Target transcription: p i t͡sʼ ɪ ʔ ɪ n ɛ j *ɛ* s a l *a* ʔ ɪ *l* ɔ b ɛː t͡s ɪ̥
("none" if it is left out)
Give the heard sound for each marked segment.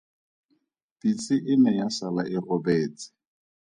a, a, r

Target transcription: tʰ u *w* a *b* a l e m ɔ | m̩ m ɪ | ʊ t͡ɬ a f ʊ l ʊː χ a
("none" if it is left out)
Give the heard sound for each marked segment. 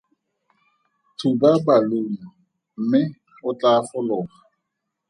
b, b

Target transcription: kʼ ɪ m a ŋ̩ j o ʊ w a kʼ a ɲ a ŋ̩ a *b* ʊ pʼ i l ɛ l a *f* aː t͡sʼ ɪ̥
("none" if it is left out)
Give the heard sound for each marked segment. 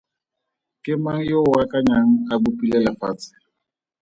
b, f

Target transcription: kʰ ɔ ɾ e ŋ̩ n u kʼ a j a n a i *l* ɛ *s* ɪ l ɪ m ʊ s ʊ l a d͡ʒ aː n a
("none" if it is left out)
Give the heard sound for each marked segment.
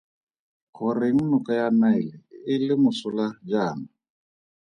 l, none

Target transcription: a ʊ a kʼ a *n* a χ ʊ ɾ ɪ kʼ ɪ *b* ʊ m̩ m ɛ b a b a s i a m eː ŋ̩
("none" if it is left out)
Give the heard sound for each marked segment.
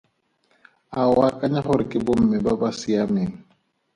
ɲ, b

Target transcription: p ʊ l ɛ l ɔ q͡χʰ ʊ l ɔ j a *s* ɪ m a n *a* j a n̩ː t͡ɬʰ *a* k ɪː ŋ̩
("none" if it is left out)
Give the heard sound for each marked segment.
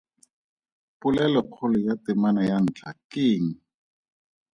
t, a, a

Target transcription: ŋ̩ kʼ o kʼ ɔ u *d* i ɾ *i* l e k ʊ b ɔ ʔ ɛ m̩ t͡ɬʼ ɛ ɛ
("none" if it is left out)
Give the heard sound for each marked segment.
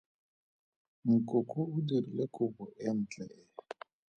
d, i

